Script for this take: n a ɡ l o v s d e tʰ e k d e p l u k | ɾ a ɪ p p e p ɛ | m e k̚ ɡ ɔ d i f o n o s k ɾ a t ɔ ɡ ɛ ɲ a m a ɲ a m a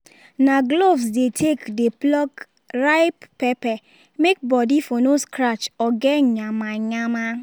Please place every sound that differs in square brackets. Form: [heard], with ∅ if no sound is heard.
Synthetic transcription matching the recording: n a ɡ l o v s d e tʰ e k d e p l [ɔ] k | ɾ a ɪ p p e p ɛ | m e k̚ [b] ɔ d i f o n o s k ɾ a [t͡ʃ] ɔ ɡ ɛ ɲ a m a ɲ a m a